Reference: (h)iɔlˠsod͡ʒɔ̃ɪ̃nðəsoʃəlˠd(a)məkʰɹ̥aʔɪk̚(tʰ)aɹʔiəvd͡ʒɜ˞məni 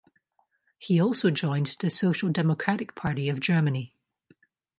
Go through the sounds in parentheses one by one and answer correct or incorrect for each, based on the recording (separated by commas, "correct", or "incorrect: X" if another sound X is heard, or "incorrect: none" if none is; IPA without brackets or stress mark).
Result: correct, incorrect: ɛ, incorrect: pʰ